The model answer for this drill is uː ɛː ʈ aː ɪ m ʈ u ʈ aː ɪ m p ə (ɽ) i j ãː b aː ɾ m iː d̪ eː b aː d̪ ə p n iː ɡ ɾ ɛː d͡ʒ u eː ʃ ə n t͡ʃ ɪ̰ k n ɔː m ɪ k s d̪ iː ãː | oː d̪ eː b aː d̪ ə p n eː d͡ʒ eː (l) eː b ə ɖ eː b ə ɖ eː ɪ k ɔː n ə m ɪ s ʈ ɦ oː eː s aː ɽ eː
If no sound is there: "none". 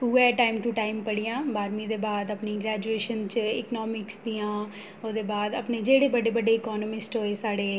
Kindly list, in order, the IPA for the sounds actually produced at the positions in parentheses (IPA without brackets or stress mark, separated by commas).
ɽ, ɽ